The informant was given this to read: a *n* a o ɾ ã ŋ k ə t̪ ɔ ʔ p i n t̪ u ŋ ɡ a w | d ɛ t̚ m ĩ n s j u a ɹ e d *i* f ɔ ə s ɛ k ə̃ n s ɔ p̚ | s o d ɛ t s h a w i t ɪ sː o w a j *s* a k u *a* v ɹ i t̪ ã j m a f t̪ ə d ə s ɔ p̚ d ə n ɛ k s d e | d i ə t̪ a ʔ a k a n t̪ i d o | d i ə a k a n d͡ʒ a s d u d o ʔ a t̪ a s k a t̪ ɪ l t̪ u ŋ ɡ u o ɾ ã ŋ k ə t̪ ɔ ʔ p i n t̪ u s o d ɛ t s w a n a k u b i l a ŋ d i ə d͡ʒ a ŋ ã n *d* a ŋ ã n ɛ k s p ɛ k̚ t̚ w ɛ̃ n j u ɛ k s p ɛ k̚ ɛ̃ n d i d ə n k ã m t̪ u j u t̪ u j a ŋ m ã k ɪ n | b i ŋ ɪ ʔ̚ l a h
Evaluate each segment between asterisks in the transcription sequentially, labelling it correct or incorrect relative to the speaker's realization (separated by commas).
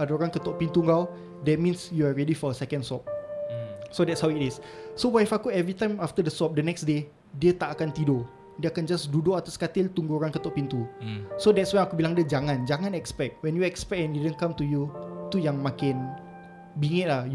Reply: incorrect, correct, incorrect, incorrect, incorrect